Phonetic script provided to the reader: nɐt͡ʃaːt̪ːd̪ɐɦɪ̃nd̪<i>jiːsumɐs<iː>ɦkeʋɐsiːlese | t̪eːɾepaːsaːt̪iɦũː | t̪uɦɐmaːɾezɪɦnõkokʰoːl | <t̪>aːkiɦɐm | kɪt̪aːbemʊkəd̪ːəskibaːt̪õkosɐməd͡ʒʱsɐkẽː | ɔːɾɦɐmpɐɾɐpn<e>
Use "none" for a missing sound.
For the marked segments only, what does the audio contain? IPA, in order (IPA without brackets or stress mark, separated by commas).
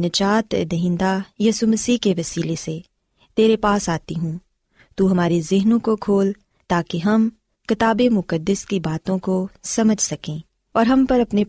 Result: a, iː, t̪, e